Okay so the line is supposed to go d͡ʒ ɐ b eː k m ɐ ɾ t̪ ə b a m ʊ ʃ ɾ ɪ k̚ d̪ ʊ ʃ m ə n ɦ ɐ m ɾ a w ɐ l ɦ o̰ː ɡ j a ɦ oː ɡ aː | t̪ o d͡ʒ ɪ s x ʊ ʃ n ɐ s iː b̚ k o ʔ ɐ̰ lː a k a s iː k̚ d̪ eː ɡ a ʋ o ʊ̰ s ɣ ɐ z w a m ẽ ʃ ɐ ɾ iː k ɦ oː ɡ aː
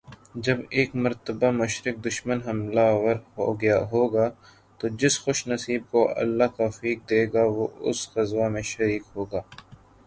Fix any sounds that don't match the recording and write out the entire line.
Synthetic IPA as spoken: d͡ʒ ɐ b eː k m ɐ ɾ t̪ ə b a m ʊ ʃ ɾ ɪ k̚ d̪ ʊ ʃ m ə n ɦ ɐ m l a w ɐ ɾ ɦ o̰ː ɡ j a ɦ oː ɡ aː | t̪ o d͡ʒ ɪ s x ʊ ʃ n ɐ s iː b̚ k o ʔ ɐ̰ lː a k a f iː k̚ d̪ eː ɡ a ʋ o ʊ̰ s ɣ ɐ z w a m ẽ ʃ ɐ ɾ iː k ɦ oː ɡ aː